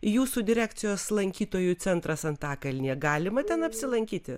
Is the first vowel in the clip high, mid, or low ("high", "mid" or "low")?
high